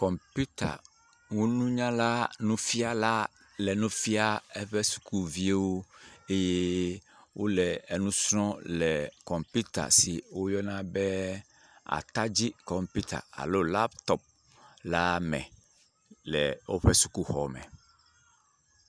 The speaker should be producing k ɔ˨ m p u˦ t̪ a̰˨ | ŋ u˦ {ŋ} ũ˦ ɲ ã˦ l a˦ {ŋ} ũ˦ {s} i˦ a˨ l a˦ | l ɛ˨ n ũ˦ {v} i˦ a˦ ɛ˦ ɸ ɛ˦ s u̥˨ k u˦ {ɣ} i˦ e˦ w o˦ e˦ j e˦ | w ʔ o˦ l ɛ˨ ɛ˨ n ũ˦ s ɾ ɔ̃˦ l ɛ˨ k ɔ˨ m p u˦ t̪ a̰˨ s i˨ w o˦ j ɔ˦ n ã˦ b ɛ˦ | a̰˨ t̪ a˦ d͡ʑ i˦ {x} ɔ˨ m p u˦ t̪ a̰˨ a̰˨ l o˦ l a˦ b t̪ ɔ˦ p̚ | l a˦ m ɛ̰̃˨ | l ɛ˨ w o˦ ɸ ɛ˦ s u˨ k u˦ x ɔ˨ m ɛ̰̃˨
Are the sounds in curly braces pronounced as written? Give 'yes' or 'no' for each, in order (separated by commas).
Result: no, no, no, no, no, no